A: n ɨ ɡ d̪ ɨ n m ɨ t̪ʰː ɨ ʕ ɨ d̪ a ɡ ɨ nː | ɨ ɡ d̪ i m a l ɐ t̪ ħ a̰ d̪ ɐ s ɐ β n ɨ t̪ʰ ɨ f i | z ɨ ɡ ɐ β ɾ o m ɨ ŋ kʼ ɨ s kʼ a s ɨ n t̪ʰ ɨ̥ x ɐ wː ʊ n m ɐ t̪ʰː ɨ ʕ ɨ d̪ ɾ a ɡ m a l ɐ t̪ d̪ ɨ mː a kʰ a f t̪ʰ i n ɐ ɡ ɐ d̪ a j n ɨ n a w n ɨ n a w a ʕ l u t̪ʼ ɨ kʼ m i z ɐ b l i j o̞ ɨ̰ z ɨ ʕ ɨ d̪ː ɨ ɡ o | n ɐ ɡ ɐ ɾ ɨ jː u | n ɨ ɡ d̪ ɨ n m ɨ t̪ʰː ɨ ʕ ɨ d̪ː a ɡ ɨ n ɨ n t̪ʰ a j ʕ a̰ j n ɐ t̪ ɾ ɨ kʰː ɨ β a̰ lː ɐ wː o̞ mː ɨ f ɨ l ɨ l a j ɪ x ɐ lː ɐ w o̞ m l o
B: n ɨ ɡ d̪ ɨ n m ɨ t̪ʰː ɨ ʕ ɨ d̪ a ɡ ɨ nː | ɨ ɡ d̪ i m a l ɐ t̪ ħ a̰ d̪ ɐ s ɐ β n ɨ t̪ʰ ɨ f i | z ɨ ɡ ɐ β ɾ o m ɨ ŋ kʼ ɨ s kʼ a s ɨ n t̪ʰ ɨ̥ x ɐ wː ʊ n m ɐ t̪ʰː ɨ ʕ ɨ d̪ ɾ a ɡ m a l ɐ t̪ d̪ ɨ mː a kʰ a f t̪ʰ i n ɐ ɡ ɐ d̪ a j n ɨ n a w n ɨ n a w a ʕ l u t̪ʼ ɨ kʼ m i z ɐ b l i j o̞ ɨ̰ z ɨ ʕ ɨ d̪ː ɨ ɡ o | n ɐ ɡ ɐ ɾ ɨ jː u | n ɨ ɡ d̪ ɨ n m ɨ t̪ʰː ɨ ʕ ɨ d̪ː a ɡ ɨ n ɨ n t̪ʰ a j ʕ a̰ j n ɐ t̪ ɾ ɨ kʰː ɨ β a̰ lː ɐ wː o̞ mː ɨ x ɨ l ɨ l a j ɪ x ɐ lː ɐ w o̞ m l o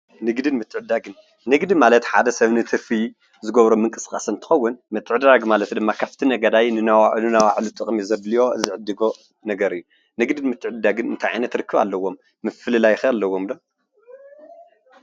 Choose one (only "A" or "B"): A